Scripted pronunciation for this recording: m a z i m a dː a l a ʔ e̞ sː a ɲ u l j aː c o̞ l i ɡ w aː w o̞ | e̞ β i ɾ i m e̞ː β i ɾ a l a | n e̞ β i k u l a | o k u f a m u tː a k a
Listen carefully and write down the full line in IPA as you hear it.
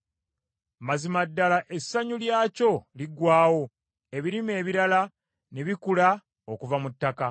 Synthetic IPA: m a z i m a dː a l a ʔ e̞ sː a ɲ u l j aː c o̞ l i ɡ w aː w o̞ | e̞ β i ɾ i m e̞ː β i ɾ a l a | n e̞ β i k u l a | o k u v a m u tː a k a